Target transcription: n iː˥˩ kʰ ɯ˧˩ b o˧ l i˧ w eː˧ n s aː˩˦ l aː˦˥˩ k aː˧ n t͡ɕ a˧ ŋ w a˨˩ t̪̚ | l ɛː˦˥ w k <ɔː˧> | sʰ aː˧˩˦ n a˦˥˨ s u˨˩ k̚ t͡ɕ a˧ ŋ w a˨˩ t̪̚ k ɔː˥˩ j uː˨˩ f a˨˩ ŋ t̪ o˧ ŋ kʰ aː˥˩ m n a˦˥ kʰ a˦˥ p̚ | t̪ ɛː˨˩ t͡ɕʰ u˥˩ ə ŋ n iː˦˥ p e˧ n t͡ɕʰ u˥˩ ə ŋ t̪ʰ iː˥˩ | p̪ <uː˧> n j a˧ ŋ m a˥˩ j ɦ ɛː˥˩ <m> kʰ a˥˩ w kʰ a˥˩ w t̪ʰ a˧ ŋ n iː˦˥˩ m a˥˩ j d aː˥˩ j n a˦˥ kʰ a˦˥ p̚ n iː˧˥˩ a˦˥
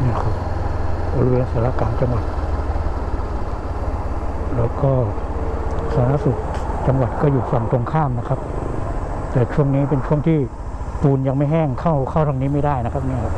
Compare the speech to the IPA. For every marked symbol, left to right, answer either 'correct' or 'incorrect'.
incorrect: ɔː˥˩, correct, incorrect: ŋ

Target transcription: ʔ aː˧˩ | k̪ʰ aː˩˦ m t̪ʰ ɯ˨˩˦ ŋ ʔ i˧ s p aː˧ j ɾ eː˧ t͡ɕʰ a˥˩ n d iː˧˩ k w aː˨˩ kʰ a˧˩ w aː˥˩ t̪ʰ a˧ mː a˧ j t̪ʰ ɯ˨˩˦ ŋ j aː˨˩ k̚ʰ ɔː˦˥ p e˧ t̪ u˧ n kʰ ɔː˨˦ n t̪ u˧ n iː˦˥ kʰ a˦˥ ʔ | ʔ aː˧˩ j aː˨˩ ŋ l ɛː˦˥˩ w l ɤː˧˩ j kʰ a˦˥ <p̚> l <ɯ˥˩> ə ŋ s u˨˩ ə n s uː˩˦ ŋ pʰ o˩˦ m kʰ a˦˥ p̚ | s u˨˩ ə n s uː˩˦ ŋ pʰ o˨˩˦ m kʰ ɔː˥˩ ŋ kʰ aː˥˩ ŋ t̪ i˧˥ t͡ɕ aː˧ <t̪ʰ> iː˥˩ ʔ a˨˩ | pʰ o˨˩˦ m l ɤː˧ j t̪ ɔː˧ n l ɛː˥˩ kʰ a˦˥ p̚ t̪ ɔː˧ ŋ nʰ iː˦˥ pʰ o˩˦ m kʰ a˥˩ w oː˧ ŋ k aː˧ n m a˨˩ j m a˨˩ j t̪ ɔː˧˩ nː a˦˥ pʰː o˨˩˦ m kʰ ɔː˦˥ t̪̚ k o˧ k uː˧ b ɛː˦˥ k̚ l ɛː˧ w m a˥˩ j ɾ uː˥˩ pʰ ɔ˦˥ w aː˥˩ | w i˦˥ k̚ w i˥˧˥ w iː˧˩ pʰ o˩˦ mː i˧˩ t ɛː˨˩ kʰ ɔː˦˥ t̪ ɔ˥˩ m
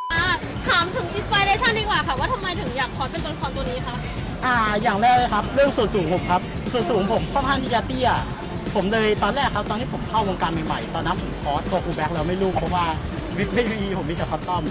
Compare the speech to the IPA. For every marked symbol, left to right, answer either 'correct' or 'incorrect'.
correct, correct, incorrect: t̪

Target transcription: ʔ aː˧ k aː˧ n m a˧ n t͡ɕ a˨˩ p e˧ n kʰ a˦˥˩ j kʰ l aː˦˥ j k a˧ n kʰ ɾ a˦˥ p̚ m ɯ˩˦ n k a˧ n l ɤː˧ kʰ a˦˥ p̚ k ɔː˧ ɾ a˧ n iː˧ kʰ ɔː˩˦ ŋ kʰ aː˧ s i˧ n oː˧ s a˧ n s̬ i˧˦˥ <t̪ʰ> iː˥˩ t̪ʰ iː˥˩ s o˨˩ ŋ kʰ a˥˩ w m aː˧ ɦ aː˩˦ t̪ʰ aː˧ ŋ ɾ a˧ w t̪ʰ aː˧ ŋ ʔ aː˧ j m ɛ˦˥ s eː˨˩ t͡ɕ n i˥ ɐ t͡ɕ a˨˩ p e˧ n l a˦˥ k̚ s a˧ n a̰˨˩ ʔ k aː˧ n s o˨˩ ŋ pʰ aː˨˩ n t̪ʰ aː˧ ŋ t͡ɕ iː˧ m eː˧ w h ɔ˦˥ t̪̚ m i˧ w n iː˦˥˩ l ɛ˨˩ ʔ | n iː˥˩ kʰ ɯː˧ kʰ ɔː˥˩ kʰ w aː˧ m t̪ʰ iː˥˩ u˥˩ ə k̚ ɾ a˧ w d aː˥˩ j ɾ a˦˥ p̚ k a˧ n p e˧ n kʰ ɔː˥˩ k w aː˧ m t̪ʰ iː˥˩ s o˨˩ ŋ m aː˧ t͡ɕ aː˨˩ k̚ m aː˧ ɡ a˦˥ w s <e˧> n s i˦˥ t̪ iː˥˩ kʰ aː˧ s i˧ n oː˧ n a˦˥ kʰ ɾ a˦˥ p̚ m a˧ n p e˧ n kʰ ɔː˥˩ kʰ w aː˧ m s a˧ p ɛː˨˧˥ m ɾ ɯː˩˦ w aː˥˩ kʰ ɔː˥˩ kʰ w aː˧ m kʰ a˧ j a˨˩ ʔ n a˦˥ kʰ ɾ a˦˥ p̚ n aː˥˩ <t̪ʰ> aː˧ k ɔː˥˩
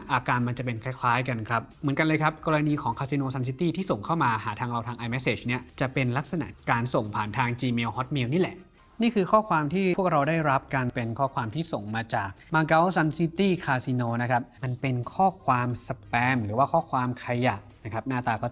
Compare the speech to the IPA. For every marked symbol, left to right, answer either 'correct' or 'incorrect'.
incorrect: t̪, incorrect: a˧, incorrect: t̪

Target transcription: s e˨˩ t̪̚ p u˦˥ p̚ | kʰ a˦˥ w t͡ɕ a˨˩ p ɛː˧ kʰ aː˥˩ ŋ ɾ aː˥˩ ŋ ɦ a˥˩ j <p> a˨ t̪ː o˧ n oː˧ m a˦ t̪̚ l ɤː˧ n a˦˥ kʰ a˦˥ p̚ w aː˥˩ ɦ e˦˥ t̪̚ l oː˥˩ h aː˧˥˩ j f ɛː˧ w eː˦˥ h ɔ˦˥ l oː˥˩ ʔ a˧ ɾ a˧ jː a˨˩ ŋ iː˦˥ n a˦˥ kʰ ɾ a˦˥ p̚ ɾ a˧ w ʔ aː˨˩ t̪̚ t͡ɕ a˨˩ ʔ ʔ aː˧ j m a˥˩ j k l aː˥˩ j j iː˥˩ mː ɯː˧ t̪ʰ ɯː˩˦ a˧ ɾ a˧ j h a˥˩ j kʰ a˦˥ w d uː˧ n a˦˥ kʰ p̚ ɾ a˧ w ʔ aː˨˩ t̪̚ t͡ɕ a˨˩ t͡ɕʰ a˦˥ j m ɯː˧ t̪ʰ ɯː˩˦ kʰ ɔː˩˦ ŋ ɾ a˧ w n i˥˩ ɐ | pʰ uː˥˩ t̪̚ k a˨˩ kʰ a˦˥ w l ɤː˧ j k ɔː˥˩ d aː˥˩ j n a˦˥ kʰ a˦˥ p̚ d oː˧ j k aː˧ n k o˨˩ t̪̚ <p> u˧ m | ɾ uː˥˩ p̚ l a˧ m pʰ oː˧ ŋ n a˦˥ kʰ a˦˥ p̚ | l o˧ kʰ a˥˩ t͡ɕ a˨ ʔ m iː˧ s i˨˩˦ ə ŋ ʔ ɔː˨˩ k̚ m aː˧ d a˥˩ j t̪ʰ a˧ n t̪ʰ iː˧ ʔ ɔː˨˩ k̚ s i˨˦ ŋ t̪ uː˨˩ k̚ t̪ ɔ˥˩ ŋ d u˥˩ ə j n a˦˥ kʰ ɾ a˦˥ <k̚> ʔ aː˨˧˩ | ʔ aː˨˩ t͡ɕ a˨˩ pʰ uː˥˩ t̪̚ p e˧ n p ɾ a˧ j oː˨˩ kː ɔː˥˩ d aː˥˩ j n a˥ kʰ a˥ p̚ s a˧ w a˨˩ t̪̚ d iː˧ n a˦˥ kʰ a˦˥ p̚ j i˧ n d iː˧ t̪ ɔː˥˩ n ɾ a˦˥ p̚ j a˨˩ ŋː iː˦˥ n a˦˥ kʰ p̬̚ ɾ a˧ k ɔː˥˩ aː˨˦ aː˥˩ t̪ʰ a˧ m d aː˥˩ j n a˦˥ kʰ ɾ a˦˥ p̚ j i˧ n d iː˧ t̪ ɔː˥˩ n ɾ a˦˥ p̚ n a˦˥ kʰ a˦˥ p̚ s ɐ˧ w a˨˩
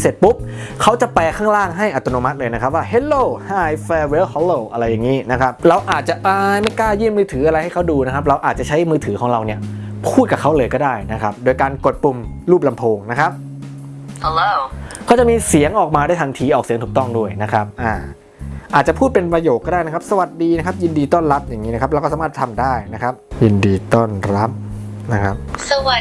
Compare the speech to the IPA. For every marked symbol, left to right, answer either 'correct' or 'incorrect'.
incorrect: ʔ, correct, incorrect: p̚

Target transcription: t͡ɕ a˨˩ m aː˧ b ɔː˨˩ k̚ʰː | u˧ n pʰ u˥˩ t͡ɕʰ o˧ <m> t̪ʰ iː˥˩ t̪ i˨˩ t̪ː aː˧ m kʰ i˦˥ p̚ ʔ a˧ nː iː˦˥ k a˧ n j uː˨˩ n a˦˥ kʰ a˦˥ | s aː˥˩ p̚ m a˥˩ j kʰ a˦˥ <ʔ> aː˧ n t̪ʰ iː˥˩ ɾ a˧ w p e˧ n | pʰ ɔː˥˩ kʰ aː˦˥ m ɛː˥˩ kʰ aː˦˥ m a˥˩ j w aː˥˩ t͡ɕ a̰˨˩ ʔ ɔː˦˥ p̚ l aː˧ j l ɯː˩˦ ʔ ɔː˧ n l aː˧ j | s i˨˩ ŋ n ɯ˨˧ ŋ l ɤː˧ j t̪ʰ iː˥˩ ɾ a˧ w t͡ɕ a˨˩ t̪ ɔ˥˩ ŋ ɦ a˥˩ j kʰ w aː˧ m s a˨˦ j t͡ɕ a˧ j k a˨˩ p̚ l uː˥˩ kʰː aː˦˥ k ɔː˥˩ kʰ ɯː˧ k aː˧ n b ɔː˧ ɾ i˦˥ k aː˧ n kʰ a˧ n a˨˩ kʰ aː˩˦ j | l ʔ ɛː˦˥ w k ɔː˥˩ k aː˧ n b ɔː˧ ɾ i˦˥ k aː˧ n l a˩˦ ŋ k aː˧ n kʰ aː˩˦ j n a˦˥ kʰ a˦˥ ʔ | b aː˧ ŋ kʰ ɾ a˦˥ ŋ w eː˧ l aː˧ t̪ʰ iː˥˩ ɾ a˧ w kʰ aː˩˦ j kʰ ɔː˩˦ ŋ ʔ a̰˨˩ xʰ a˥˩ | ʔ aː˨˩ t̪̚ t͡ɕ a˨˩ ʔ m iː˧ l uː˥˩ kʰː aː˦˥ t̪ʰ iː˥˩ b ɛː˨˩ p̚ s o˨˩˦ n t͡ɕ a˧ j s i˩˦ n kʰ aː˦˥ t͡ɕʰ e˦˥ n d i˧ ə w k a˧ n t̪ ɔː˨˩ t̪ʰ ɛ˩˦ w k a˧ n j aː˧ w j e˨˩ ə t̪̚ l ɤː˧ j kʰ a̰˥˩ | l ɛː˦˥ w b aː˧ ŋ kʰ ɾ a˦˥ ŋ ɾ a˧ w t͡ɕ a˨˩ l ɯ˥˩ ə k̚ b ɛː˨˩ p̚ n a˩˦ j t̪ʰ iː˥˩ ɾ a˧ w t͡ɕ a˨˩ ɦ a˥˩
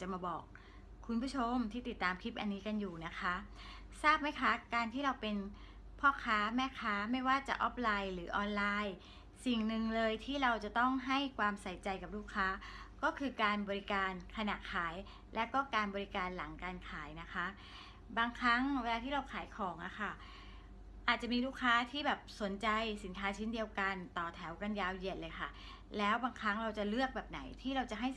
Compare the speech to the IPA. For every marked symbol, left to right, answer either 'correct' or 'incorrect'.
correct, incorrect: k

